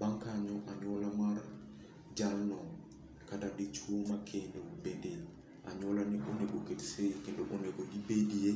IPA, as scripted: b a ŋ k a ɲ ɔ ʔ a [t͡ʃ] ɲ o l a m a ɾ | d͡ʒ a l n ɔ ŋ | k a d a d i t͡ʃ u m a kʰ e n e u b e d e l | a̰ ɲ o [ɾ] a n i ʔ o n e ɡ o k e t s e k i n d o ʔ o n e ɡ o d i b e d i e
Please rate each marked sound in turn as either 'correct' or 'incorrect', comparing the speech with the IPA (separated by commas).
incorrect, incorrect